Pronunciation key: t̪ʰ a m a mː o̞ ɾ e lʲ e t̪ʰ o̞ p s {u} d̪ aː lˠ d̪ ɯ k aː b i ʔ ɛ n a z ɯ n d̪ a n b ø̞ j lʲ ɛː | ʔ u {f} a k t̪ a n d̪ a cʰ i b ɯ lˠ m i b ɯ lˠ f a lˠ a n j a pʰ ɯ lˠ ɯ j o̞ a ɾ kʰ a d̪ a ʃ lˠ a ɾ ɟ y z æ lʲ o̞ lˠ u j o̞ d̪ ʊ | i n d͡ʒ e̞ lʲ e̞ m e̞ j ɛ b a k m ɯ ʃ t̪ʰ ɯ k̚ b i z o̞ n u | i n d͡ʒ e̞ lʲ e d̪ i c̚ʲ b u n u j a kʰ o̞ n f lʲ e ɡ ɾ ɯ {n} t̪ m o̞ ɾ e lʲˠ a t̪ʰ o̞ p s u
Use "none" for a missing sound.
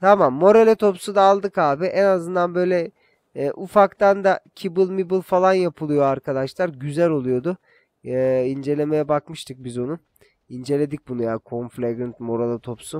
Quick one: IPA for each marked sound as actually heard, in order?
u, f, n

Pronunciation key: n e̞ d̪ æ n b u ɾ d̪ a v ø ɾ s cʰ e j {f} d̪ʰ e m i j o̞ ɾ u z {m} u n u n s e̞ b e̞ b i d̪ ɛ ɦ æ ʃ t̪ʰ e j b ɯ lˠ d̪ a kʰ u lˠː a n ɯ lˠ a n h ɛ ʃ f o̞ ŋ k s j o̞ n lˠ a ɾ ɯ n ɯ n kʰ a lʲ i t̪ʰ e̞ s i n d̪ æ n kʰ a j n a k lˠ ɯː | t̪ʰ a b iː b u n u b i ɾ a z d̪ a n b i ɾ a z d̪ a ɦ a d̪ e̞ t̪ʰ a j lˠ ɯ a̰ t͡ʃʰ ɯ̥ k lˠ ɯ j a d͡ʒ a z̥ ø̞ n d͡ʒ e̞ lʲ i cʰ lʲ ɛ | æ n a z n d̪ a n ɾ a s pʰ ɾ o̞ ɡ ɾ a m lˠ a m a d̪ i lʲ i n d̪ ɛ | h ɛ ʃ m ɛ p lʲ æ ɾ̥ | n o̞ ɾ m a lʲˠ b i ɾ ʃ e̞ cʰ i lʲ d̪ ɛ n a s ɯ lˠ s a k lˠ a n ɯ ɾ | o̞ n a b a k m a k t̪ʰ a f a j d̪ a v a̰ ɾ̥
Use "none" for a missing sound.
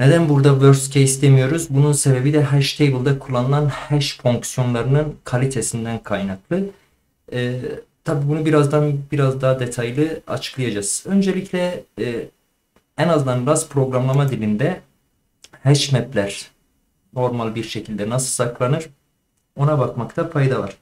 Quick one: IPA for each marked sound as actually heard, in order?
s, b

